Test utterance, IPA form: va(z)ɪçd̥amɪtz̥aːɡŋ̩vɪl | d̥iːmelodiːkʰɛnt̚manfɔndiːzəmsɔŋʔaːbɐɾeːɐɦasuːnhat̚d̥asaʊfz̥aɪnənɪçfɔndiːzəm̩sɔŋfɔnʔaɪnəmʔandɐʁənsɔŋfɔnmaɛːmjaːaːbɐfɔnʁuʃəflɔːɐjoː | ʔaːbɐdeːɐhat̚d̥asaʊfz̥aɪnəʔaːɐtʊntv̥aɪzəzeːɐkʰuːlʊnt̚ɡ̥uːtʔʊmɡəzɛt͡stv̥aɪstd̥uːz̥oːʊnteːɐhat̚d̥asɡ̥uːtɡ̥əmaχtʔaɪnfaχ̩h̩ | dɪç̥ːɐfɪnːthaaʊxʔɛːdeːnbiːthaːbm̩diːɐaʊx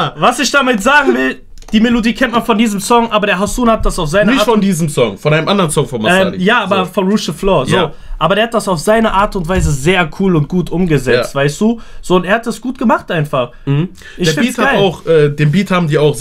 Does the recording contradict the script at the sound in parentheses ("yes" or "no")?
yes